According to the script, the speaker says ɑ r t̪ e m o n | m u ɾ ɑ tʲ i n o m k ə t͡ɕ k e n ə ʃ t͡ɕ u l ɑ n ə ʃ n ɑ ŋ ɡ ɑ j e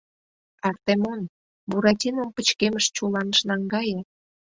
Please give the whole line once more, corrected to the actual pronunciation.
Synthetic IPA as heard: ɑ r t̪ e m o n | b u ɾ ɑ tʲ i n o m p ə t͡ɕ k e m ə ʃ t͡ɕ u l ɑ n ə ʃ n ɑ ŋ ɡ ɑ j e